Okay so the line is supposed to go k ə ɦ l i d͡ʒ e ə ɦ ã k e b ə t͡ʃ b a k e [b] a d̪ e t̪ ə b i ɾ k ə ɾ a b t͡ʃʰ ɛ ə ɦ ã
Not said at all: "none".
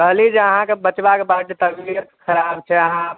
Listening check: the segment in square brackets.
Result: b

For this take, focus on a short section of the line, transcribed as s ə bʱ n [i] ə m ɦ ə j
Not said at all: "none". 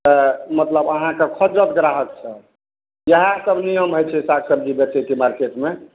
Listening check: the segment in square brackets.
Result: i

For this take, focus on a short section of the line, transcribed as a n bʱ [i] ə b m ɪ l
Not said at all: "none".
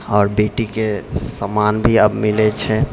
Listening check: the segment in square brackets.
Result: i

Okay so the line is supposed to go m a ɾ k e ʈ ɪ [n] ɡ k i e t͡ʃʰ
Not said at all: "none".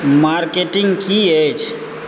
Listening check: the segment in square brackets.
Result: ŋ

